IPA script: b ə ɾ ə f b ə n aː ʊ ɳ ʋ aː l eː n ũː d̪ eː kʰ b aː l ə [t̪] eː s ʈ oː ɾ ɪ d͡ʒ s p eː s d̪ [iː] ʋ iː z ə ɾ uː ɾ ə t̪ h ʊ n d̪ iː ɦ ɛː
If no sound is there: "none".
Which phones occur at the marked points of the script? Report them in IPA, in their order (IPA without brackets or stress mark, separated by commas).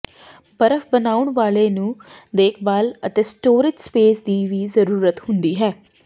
t̪, iː